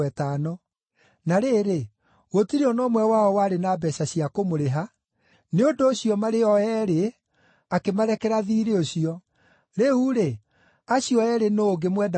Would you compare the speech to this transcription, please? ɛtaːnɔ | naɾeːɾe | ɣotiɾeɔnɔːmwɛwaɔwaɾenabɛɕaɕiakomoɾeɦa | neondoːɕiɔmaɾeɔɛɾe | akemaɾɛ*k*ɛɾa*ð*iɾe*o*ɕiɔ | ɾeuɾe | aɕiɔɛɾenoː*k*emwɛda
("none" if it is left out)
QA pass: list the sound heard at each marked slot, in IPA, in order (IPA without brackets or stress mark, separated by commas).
k, ð, o, ɡ